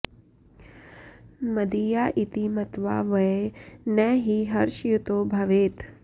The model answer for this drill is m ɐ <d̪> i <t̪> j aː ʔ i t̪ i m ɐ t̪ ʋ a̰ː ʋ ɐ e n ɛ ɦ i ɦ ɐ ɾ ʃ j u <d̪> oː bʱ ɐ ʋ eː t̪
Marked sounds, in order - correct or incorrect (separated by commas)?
correct, incorrect, incorrect